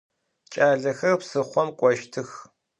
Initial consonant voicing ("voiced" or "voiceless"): voiceless